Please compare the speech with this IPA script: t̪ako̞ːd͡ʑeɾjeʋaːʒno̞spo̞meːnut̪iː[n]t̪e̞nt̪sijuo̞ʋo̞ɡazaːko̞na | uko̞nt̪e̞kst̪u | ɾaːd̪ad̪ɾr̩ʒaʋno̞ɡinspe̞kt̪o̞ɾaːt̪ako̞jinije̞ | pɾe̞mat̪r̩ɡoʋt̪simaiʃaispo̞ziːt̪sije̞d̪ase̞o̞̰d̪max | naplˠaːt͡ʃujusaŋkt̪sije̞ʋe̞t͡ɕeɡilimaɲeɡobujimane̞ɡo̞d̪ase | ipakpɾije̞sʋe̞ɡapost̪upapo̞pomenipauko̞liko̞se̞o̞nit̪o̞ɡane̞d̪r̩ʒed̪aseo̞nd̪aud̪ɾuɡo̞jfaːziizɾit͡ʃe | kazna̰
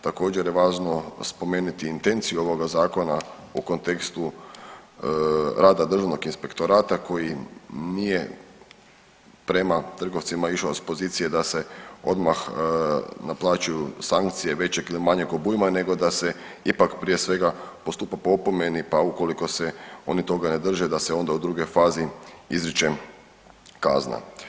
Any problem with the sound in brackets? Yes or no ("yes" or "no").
no